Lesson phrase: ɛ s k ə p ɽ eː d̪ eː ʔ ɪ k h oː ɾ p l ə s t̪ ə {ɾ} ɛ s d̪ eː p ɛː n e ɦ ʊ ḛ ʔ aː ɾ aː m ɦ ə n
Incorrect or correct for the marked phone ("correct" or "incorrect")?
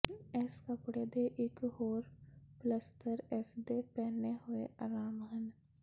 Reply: correct